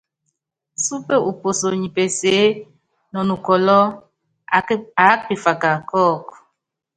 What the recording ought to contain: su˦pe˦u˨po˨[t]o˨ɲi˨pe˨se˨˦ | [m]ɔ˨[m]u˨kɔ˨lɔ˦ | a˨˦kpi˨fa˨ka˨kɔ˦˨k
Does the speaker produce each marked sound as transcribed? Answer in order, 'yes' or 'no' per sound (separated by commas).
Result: no, no, no